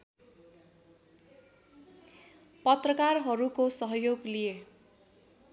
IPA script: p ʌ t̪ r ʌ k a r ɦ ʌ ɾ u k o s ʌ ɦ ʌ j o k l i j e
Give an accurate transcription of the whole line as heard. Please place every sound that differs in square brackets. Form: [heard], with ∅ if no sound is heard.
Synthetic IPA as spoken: p ʌ t̪ r ʌ k a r ɦ ʌ ɾ u k o s ʌ ɦ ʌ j o [ɡ] l i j e